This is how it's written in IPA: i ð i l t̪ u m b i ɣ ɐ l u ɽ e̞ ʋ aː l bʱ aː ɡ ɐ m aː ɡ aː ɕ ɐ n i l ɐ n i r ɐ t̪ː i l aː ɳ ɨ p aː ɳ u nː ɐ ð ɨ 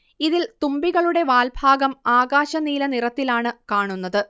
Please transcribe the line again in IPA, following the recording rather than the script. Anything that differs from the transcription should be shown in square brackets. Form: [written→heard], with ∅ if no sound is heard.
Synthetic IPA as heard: i ð i l t̪ u m b i ɣ ɐ [l→ɭ] u ɽ e̞ ʋ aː l bʱ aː ɡ ɐ m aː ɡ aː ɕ ɐ n [i→iː] l ɐ n i r ɐ t̪ː i l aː ɳ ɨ [p→k] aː ɳ u nː ɐ ð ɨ